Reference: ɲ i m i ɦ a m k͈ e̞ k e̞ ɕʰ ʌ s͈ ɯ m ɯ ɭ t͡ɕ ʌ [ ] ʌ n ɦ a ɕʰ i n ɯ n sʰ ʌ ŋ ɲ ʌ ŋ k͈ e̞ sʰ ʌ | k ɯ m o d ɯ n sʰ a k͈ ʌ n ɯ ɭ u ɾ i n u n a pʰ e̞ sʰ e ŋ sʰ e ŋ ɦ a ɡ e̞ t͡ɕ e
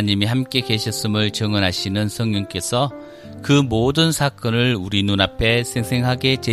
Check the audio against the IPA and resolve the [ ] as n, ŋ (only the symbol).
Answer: ŋ